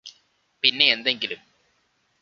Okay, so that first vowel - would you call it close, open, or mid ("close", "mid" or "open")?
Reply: close